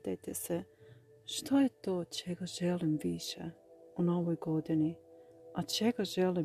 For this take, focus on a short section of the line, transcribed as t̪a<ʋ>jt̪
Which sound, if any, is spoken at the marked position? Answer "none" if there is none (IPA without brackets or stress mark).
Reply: none